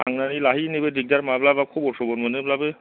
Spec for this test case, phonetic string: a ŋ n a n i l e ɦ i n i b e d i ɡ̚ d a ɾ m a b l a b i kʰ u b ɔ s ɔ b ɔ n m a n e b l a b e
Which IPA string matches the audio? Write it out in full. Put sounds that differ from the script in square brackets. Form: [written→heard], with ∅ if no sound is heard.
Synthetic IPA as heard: a ŋ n a n i l [e→a] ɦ i n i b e d i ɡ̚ d a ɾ m a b l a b [i→a] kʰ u b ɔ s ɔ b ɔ n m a n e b l a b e

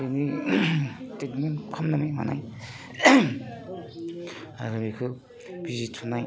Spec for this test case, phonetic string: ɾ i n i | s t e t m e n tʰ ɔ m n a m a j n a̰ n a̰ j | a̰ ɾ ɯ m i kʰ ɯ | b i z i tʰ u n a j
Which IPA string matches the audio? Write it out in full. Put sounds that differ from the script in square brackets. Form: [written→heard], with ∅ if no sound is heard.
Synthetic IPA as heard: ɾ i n i | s t e t m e n [tʰ→kʰ] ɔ m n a m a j [n→m] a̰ n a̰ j | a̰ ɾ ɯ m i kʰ ɯ | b i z i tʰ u n a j

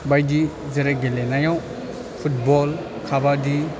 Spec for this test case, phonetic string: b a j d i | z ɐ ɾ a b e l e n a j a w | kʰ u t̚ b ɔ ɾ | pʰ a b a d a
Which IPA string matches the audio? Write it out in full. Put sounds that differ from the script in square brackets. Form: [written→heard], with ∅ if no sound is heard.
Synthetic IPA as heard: b a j d i | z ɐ ɾ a [b→ɡ] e l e n a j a w | [kʰ→pʰ] u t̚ b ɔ [ɾ→l] | [pʰ→kʰ] a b a d [a→i]

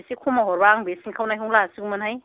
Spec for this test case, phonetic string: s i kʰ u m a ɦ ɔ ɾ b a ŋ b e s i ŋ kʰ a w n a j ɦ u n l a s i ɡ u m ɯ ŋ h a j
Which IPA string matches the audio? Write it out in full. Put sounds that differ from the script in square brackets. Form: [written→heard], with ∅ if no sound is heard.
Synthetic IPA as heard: s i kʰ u m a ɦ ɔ ɾ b a ŋ b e s i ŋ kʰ a w n a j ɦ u [n→ŋ] l a s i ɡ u m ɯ [ŋ→n] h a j

